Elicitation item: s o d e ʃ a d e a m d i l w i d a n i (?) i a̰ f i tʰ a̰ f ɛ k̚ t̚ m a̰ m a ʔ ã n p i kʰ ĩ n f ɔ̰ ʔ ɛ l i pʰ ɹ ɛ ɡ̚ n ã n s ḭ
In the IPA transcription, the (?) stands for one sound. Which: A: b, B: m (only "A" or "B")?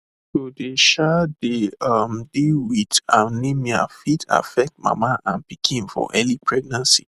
B